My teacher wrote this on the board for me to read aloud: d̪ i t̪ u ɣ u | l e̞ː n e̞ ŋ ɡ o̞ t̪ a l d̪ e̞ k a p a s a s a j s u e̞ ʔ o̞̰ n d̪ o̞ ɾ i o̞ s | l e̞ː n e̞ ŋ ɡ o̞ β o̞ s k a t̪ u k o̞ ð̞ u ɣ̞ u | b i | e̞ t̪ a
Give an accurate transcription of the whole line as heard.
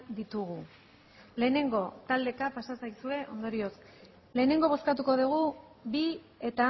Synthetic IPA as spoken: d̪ i t̪ u ɣ u | l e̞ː n e̞ ŋ ɡ o̞ t̪ a l d̪ e̞ k a p a s a s a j s u e̞ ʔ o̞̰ n d̪ o̞ ɾ i o̞ s | l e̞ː n e̞ ŋ ɡ o̞ β o̞ s k a t̪ u k o̞ ð̞ u ɣ̞ u | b i | e̞ t̪ a